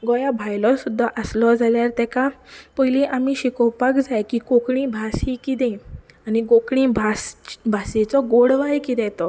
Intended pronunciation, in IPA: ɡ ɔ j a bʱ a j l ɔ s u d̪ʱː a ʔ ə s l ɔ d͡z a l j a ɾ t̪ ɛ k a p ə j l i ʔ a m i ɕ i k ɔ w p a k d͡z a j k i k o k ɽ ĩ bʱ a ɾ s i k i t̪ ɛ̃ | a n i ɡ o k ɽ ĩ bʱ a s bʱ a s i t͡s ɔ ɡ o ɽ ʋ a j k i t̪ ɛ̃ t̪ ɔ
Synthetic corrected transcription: ɡ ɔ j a bʱ a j l ɔ s u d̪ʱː a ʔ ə s l ɔ d͡z a l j a ɾ t̪ ɛ k a p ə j l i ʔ a m i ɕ i k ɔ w p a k d͡z a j k i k o k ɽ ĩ bʱ a s i k i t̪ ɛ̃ | a n i ɡ o k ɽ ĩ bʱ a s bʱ a s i t͡s ɔ ɡ o ɽ ʋ a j k i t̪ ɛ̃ t̪ ɔ